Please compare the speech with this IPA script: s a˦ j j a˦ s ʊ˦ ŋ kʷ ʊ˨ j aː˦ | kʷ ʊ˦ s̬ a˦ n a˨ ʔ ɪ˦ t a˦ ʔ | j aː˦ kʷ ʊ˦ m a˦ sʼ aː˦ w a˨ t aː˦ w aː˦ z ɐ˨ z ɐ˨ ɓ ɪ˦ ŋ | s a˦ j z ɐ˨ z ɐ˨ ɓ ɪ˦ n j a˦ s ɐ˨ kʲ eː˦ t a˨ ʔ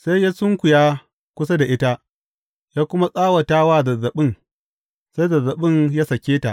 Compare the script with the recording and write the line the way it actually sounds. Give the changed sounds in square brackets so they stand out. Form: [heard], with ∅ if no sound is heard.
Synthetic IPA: s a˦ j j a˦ s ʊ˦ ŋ kʷ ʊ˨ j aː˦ | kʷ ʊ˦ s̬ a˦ [d] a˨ ʔ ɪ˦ t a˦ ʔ | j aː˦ kʷ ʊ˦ m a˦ sʼ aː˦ w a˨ t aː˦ w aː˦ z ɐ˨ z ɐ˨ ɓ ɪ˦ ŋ | s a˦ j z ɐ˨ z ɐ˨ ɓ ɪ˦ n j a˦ s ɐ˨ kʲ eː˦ t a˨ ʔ